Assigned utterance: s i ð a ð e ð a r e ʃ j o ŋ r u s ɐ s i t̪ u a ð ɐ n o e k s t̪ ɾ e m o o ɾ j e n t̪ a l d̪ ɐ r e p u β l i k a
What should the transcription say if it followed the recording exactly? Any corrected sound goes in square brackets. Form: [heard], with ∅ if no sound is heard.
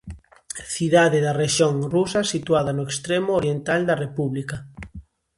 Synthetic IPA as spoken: [θ] i ð a ð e ð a r e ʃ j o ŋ r u s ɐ s i t̪ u a ð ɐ n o e k s t̪ ɾ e m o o ɾ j e n t̪ a l d̪ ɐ r e p u β l i k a